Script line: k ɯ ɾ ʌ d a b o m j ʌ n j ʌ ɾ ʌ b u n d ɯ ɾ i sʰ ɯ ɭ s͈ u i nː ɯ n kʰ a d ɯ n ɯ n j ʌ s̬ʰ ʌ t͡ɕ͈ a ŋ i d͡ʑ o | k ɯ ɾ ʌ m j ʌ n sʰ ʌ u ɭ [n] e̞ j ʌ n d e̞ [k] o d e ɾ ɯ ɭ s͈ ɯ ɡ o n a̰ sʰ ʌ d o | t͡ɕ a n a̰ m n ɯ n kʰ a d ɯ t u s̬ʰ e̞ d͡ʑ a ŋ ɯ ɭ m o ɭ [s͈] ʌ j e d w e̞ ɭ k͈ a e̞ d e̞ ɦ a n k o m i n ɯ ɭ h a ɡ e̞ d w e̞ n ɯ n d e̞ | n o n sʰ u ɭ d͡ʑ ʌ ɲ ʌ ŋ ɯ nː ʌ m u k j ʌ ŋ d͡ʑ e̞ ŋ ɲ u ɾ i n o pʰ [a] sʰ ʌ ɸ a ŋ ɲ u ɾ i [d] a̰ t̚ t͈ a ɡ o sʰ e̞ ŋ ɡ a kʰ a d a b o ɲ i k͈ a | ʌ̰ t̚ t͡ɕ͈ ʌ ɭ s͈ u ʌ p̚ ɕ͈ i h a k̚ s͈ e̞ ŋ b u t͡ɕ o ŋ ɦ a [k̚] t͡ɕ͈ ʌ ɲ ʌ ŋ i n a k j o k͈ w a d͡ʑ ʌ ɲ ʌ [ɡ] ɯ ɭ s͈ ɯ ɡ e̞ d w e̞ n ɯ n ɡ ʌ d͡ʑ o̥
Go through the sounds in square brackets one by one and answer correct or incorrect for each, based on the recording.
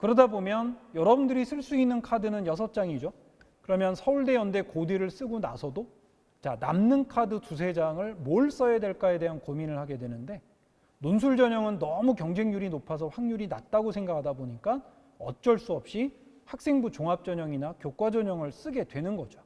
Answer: incorrect: d, correct, correct, correct, incorrect: n, incorrect: p̚, incorrect: ŋ

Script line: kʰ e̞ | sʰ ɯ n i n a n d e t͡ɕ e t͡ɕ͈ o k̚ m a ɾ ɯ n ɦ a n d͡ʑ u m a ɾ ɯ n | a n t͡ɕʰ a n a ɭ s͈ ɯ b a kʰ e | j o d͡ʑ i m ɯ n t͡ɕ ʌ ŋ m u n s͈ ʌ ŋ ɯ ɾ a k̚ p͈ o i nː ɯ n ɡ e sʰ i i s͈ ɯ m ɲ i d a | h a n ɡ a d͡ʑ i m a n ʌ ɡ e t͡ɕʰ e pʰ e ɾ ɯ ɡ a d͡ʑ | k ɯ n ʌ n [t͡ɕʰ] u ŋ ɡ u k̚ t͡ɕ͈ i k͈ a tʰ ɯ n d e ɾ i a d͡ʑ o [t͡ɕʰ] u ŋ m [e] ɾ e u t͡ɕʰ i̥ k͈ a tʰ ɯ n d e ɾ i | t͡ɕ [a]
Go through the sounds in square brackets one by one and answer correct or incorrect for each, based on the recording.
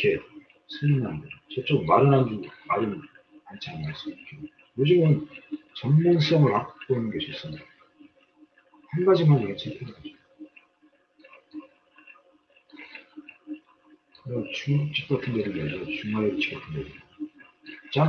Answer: incorrect: t͡ɕ, incorrect: t͡ɕ, incorrect: a, correct

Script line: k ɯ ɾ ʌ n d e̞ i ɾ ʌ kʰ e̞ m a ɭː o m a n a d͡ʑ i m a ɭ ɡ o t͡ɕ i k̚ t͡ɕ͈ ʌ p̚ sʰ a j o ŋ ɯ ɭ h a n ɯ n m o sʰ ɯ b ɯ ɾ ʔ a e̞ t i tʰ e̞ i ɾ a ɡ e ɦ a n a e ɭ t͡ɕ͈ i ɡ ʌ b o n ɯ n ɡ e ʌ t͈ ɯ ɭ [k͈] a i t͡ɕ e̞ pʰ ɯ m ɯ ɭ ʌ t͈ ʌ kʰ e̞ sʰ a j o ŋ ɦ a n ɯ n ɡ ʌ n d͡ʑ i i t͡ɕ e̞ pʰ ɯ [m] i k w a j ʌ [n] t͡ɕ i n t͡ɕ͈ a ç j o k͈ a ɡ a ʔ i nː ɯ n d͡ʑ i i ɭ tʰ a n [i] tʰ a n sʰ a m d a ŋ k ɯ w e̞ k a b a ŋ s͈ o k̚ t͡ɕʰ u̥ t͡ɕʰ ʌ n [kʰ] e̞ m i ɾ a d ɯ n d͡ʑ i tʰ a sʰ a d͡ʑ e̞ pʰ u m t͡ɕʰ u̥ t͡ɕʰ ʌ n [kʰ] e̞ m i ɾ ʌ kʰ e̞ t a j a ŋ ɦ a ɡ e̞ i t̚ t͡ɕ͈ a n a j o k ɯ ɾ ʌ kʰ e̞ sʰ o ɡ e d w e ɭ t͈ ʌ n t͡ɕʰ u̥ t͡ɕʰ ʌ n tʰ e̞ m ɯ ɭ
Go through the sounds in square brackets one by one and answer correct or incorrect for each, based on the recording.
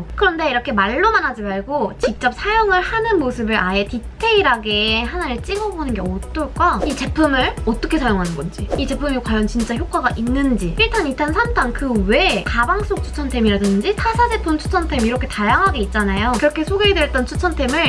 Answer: correct, correct, correct, correct, incorrect: tʰ, incorrect: tʰ

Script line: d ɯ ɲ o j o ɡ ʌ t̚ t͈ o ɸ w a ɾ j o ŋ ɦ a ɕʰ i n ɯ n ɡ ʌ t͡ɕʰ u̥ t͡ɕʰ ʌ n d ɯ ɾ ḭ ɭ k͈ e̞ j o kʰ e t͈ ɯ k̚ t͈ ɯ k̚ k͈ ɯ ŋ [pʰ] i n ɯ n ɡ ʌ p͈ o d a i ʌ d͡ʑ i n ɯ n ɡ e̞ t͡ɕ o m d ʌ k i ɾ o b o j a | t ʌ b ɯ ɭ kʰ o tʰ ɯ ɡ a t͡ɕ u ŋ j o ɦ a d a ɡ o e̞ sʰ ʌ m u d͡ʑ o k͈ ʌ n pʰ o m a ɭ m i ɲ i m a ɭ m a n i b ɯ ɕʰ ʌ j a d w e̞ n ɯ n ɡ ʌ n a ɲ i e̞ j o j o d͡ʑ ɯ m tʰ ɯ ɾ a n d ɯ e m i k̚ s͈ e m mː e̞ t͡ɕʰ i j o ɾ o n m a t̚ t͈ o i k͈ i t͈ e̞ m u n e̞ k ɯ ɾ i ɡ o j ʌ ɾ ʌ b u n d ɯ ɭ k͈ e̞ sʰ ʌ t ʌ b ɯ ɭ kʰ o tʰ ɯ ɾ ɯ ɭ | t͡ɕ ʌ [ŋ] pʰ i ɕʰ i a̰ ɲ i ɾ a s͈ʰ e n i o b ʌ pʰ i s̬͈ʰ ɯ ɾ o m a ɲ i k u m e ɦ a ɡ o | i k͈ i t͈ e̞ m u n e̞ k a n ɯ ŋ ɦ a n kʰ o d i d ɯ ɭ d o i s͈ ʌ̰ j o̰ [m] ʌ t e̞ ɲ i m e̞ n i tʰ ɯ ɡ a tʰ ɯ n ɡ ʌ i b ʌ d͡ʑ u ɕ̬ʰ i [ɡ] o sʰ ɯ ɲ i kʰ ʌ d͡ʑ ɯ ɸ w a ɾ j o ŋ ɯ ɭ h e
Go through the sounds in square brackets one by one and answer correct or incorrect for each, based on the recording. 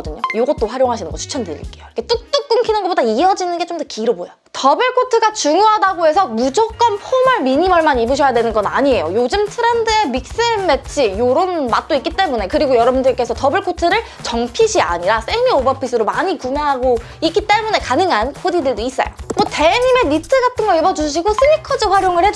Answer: incorrect: kʰ, correct, correct, correct

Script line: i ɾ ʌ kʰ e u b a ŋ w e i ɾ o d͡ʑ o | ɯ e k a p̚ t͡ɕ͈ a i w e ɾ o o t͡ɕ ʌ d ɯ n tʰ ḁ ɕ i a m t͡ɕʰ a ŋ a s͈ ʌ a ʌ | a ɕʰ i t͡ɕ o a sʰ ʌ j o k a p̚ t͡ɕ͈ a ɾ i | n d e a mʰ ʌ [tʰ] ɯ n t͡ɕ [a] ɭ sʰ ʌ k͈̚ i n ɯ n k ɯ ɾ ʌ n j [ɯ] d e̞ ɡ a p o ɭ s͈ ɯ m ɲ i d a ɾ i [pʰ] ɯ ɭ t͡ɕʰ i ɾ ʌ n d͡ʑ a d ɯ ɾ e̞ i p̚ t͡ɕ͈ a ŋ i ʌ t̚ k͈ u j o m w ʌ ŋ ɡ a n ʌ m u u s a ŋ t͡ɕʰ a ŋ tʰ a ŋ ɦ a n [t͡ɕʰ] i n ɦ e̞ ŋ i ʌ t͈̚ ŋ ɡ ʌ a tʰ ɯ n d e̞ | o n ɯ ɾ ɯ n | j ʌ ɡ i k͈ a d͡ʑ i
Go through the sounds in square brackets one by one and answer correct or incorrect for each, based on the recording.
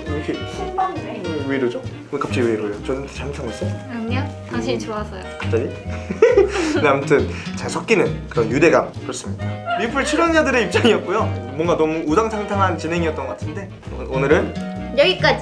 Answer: correct, correct, incorrect: u, correct, incorrect: t͡ɕ

